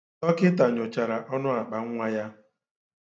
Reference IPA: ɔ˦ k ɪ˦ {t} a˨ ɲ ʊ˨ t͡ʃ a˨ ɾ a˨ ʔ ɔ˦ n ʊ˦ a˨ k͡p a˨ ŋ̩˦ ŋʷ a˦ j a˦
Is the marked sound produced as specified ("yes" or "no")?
yes